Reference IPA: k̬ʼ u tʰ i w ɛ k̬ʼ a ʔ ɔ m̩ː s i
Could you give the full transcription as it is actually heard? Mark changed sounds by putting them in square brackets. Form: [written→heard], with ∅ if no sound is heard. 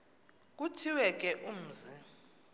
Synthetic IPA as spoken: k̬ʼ u tʰ i w ɛ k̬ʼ [a→ɛ] ʔ [ɔ→u] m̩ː [s→z] i